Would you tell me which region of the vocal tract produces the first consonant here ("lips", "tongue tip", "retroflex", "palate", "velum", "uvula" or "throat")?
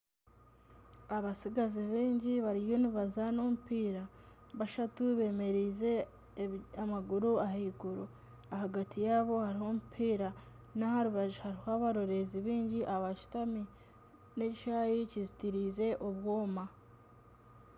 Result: lips